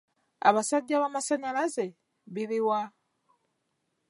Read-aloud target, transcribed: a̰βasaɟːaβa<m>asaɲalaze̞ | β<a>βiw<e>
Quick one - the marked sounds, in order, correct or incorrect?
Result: correct, incorrect: i, incorrect: a

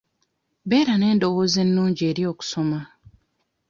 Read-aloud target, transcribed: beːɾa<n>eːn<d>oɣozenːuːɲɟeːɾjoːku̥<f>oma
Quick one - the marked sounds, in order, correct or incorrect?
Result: correct, correct, incorrect: s

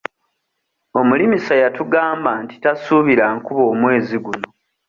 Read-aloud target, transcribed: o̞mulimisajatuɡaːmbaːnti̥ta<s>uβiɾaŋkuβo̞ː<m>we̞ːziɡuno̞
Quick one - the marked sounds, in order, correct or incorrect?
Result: correct, correct

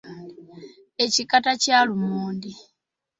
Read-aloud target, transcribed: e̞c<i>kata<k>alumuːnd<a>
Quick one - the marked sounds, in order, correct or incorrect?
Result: correct, incorrect: c, incorrect: i

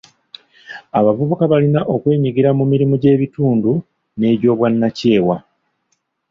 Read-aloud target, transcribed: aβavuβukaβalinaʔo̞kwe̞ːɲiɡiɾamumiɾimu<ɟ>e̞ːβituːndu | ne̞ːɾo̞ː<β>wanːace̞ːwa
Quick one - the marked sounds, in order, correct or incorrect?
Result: correct, correct

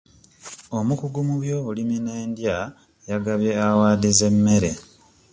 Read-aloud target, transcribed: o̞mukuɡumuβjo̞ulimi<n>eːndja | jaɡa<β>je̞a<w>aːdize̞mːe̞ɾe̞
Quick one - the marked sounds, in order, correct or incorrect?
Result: correct, correct, correct

